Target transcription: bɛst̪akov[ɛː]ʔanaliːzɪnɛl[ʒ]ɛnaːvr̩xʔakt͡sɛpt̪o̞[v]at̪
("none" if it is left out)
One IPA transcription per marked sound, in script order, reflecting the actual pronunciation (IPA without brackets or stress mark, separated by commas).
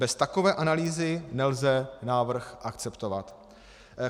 ɛː, z, v